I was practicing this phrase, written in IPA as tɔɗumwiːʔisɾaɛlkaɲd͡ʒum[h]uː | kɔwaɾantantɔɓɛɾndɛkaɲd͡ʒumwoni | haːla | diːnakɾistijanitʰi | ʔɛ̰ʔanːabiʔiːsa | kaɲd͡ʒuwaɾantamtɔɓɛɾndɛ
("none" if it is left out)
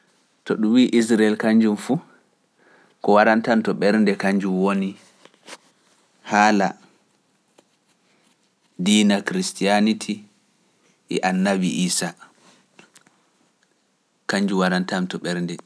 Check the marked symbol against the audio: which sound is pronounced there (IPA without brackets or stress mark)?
f